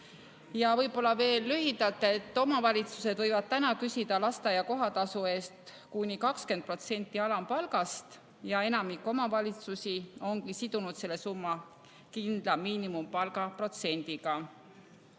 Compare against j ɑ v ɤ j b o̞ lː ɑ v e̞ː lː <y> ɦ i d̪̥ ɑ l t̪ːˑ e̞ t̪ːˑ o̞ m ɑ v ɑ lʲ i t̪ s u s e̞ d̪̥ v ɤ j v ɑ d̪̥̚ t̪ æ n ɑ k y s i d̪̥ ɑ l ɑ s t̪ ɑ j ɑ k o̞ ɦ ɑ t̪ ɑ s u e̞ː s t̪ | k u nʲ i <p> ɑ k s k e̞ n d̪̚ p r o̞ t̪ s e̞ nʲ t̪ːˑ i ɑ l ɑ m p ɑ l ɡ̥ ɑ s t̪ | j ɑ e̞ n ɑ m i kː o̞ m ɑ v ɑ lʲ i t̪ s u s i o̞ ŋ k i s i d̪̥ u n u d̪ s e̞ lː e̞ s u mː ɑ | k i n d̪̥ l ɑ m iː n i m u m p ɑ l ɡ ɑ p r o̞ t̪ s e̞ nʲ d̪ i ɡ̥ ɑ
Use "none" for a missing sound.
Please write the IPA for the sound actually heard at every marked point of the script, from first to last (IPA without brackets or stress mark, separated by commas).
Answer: y, k